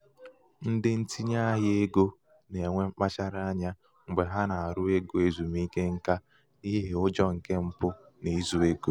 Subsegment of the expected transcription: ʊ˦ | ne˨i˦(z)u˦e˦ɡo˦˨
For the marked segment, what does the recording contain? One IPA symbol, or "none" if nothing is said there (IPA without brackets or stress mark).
z